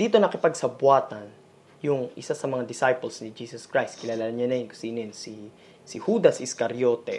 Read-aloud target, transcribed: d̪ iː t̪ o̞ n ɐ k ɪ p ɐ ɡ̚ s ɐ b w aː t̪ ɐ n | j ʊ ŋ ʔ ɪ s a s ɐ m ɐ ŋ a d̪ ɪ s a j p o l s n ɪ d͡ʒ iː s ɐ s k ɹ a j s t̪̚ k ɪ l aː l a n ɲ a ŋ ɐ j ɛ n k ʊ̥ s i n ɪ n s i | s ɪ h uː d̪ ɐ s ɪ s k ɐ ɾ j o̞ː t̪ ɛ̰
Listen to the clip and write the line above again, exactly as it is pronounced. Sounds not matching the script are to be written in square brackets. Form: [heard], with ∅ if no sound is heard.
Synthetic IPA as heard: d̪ iː t̪ o̞ n ɐ k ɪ p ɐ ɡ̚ s ɐ b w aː t̪ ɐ n | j ʊ ŋ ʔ ɪ s a s ɐ m ɐ ŋ a d̪ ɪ s a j p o l s n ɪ d͡ʒ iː s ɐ s k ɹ a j s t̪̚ k ɪ l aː l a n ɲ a [n] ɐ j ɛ n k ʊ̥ s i n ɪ n s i | s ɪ h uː d̪ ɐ s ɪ s k ɐ ɾ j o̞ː t̪ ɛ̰